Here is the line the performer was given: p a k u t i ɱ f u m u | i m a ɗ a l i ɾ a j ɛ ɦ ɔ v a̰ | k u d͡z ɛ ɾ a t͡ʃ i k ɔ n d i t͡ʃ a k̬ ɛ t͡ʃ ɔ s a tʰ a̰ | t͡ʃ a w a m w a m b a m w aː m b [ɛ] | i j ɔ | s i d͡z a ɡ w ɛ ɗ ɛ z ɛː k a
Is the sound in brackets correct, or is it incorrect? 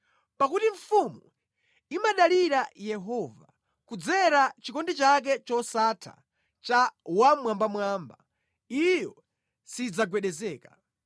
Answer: incorrect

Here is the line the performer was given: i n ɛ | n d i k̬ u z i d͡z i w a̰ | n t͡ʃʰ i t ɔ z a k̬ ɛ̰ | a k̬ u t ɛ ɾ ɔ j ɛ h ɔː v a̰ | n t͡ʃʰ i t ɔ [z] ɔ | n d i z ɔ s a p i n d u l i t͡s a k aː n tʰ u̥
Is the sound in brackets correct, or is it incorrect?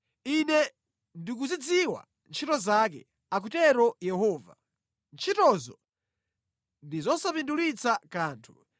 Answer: correct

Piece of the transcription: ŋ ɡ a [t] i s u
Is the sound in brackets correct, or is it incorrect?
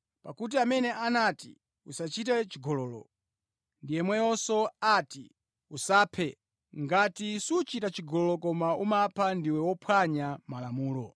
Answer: correct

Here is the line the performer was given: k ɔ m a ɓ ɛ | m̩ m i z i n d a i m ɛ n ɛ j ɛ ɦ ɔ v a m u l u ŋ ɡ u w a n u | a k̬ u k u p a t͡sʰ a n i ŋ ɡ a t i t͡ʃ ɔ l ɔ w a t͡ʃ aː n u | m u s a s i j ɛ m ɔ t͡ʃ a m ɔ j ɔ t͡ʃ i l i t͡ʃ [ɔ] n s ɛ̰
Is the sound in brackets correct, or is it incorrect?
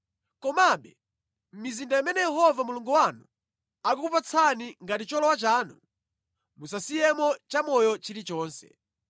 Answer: incorrect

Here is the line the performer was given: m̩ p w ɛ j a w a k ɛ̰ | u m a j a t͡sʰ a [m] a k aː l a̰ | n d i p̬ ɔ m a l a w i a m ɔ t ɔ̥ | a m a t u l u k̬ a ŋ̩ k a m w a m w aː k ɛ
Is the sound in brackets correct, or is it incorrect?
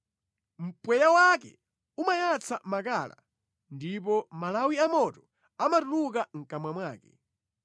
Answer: correct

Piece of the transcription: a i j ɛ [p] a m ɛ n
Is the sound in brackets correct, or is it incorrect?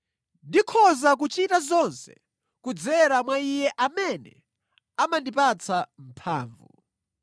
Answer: incorrect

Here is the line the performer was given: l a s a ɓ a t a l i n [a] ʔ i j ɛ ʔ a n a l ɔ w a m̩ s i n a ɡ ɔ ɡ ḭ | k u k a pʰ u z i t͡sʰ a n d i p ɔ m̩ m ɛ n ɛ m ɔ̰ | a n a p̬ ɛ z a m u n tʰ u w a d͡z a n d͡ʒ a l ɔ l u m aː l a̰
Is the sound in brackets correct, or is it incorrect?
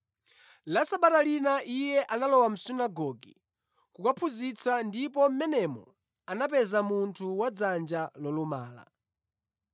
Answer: correct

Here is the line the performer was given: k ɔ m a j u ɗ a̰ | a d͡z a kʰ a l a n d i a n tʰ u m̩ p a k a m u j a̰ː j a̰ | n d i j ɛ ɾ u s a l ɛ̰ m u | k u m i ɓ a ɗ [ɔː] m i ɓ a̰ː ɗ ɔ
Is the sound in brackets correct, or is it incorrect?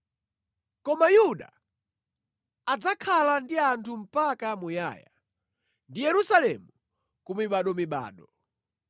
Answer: incorrect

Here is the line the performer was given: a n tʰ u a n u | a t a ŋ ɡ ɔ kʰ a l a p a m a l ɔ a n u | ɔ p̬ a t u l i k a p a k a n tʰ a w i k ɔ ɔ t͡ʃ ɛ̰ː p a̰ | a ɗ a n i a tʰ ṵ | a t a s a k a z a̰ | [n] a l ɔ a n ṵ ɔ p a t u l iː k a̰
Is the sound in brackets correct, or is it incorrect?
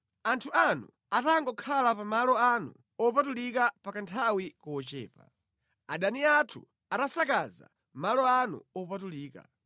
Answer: incorrect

